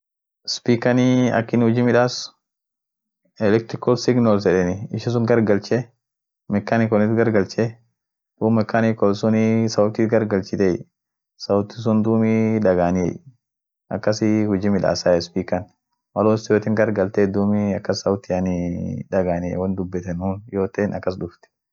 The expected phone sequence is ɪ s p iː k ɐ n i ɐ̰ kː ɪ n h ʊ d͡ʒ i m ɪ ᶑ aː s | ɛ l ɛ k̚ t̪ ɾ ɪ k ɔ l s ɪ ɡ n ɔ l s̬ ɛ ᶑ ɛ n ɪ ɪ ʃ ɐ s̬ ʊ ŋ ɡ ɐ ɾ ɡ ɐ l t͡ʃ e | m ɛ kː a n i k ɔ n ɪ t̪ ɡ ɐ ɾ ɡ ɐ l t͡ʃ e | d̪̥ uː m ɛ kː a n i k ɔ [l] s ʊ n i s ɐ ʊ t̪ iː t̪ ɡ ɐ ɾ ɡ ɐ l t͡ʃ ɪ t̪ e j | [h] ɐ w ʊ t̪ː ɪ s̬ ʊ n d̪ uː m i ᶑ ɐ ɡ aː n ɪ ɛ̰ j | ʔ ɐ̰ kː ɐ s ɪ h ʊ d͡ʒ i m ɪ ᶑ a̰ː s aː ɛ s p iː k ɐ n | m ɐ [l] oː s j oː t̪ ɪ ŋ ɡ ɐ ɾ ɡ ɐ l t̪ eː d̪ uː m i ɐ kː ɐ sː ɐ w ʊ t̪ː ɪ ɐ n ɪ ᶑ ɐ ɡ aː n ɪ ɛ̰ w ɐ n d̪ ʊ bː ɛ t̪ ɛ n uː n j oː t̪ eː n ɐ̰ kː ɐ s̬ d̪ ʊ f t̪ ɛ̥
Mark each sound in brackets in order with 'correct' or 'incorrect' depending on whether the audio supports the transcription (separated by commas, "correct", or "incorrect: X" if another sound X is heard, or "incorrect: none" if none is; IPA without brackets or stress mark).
correct, incorrect: s, correct